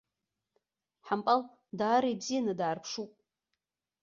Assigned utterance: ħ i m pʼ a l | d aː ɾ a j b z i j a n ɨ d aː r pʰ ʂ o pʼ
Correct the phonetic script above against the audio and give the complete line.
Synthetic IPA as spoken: ħ a m pʼ a l | d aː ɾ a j b z i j a n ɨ d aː r pʰ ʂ u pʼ